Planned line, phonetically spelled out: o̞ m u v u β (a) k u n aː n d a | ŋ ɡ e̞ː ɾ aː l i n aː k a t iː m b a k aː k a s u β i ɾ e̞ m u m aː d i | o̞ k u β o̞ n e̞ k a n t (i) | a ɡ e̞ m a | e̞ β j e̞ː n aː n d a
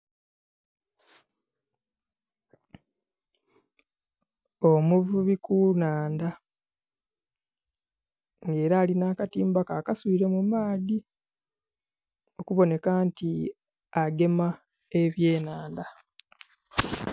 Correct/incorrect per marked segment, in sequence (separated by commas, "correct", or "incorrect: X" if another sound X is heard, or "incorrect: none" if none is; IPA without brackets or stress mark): incorrect: i, correct